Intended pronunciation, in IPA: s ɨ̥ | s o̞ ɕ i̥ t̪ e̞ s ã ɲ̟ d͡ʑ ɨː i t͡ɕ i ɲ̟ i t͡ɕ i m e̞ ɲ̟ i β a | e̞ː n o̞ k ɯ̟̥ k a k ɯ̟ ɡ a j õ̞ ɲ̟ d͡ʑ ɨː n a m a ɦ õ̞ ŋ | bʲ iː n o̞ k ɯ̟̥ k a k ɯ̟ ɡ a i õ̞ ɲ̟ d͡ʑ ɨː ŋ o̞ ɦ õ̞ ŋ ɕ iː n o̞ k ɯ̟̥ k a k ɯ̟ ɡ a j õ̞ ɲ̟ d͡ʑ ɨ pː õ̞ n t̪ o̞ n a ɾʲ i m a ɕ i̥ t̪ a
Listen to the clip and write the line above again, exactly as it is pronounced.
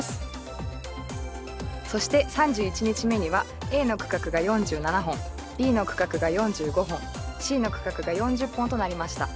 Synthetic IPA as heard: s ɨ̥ | s o̞ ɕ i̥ t̪ e̞ s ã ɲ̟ d͡ʑ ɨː i t͡ɕ i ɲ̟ i t͡ɕ i m e̞ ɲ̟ i β a | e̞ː n o̞ k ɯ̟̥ k a k ɯ̟ ɡ a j õ̞ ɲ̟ d͡ʑ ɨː n a n a ɦ õ̞ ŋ | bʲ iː n o̞ k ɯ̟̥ k a k ɯ̟ ɡ a j õ̞ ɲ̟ d͡ʑ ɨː ɡ o̞ ɦ õ̞ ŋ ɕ iː n o̞ k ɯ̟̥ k a k ɯ̟ ɡ a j õ̞ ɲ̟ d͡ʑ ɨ pː õ̞ n t̪ o̞ n a ɾʲ i m a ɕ i̥ t̪ a